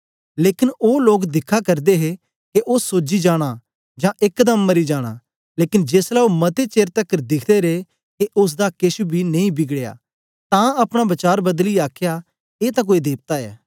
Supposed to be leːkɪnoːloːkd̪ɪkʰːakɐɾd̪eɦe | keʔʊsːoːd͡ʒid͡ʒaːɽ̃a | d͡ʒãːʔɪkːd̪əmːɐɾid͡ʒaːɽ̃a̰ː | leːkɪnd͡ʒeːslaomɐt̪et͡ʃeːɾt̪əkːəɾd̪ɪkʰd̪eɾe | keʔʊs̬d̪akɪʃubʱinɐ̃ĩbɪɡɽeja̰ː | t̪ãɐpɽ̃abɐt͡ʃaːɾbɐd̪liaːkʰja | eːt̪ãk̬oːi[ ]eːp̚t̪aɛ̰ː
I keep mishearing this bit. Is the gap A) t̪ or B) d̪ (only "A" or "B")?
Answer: B